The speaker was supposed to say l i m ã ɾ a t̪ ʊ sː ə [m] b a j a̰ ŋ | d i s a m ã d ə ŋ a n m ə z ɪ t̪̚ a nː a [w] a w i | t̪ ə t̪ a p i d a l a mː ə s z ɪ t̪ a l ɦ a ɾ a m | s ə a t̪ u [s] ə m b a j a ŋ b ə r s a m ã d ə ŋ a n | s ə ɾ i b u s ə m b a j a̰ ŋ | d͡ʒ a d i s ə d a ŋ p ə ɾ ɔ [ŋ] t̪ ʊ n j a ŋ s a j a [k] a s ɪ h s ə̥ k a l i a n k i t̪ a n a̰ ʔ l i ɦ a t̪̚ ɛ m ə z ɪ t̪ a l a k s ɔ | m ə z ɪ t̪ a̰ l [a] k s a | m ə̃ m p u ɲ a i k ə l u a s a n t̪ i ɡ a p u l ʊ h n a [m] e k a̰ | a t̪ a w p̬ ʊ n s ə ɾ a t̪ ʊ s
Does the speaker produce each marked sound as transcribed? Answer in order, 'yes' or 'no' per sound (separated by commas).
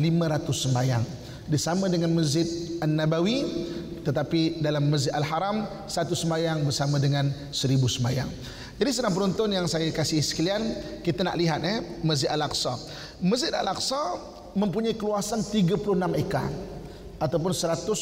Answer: yes, no, yes, no, yes, yes, yes